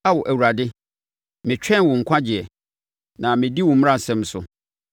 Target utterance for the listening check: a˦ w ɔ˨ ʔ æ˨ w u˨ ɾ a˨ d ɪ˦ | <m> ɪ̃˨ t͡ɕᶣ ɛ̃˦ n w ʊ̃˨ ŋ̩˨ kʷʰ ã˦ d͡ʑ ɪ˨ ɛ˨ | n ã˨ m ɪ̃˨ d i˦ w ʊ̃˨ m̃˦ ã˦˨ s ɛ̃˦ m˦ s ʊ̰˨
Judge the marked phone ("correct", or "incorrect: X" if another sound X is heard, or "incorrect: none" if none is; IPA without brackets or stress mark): correct